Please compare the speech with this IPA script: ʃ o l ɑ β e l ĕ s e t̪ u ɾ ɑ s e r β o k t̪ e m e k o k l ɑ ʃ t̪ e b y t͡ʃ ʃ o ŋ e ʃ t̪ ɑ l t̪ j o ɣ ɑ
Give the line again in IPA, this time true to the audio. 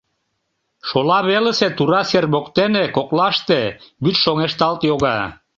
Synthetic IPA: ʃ o l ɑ β e l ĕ s e t̪ u ɾ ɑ s e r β o k t̪ e n e k o k l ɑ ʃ t̪ e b y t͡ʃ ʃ o ŋ e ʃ t̪ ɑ l t̪ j o ɣ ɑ